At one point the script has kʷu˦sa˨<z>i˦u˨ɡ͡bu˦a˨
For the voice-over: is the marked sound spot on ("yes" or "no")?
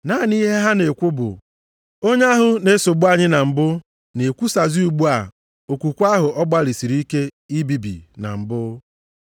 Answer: yes